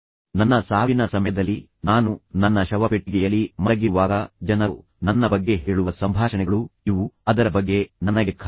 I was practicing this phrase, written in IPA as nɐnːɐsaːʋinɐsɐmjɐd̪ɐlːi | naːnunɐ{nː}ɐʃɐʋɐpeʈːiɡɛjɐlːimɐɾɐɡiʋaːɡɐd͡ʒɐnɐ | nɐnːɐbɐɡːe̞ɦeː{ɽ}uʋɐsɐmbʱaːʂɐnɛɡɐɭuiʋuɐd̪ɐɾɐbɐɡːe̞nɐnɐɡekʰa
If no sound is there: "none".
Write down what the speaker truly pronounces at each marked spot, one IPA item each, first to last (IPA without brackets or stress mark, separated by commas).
nː, ɭ